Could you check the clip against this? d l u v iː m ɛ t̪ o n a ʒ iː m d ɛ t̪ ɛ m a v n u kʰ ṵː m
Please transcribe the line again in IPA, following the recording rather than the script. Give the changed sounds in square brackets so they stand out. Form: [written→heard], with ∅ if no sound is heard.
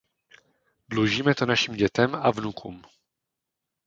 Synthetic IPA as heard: d l u [v→ʒ] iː m ɛ t̪ o n a [ʒ→ʃ] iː m [d→ɟ] ɛ t̪ ɛ m a v n u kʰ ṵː m